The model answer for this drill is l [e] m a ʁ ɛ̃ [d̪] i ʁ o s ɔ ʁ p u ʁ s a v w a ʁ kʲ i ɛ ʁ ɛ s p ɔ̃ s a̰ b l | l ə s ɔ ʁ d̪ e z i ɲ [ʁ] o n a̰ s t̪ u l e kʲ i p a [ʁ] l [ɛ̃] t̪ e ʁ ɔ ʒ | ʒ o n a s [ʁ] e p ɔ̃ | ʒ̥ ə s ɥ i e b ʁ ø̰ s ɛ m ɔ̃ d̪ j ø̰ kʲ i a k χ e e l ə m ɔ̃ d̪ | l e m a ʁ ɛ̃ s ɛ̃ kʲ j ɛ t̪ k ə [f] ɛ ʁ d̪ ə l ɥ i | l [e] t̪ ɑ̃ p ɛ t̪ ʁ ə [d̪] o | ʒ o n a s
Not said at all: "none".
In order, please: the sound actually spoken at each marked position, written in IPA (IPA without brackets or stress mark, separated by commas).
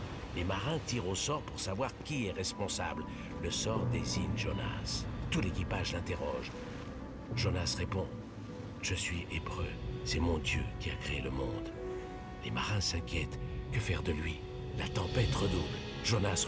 e, t̪, ʒ, ʒ, ɛ̃, ʁ, f, a, d̪